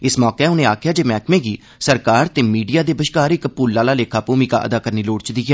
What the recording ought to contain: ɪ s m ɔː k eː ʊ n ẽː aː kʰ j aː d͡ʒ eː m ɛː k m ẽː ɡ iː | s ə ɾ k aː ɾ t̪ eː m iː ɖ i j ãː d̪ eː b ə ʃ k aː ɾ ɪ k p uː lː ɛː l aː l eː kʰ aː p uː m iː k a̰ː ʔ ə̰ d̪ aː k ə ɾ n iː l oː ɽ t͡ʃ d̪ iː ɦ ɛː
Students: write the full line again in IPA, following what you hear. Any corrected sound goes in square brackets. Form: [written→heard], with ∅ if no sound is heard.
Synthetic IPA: ɪ s m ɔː k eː ʊ n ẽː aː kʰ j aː d͡ʒ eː m ɛː k m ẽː ɡ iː | s ə ɾ k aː ɾ t̪ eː m iː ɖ i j [ãː→aː] d̪ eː b ə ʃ k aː ɾ ɪ k p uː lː [ɛː→aː] l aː l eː kʰ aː p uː m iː k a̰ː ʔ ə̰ d̪ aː k ə ɾ n iː l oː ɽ t͡ʃ d̪ iː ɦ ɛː